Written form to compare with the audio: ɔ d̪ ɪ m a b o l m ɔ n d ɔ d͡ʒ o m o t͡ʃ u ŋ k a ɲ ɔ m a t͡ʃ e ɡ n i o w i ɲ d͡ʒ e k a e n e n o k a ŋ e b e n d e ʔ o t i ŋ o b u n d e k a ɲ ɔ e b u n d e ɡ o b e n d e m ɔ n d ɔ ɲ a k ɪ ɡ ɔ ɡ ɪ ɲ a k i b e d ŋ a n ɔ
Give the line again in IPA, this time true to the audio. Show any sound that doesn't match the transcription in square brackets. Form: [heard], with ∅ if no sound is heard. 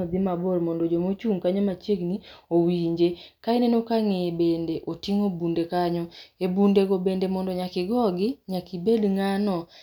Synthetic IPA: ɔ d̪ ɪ m a b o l m ɔ n d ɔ d͡ʒ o m o t͡ʃ u ŋ k a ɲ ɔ m a t͡ʃ e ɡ n i o w i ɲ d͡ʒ e k a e n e n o k a ŋ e b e n d e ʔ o t i ŋ o b u n d e k a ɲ ɔ e b u n d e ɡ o b e n d e m ɔ n d ɔ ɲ a k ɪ ɡ ɔ ɡ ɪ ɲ a k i b e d ŋ a n ɔ